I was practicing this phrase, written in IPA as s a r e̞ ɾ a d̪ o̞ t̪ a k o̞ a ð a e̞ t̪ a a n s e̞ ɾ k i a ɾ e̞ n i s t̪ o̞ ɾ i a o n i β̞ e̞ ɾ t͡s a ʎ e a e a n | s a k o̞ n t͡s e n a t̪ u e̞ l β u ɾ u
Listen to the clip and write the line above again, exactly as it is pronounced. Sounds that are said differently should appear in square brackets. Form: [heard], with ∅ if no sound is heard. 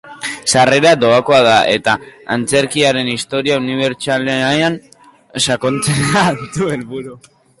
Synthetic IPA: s a r e̞ ɾ a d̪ o̞ [∅] a k o̞ a ð a e̞ t̪ a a n [t͡s] e̞ ɾ k i a ɾ e̞ n i s t̪ o̞ ɾ i a [u] n i β̞ e̞ ɾ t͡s a [l] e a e a n | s a k o̞ n t͡s e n a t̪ u e̞ l β u ɾ u